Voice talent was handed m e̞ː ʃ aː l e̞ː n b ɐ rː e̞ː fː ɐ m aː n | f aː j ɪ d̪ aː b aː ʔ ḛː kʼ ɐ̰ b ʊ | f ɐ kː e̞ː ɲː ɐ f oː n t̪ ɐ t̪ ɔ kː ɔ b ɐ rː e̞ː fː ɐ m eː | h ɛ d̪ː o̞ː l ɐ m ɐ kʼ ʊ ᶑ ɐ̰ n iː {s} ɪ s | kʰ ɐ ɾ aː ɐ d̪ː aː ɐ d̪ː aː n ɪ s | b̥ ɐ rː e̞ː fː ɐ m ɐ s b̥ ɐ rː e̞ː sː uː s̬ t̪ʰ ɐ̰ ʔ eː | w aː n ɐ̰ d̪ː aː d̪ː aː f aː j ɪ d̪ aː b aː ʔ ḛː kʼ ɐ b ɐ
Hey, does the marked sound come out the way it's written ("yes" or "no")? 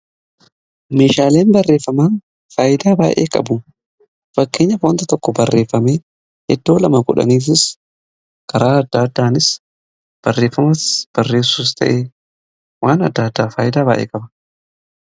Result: no